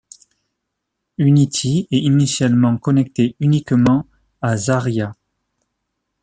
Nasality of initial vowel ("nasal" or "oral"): oral